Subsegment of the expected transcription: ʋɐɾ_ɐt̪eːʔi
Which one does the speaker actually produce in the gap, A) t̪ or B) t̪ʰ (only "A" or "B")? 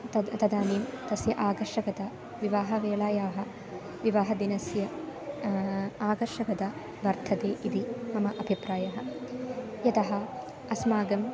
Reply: B